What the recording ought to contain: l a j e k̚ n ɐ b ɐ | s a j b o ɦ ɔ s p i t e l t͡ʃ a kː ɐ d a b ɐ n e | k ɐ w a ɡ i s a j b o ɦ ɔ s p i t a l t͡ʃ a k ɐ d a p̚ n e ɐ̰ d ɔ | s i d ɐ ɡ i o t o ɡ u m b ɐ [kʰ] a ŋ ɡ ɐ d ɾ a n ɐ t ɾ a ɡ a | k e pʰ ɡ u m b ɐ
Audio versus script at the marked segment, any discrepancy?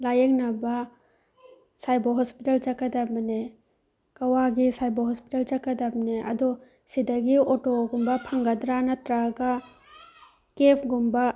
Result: yes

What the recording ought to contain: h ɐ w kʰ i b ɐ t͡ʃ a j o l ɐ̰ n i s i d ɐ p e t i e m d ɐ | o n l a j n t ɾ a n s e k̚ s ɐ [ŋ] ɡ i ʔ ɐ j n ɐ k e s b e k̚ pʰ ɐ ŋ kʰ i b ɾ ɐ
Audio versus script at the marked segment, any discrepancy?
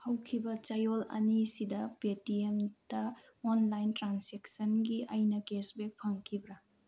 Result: yes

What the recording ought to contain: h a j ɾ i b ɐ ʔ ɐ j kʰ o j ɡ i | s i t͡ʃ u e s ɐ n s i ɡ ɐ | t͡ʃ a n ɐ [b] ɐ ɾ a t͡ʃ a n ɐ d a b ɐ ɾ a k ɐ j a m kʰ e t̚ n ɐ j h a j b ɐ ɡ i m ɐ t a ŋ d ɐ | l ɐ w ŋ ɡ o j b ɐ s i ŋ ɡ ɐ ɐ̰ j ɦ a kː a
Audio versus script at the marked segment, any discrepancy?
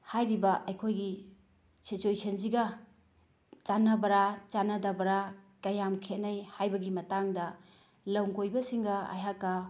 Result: no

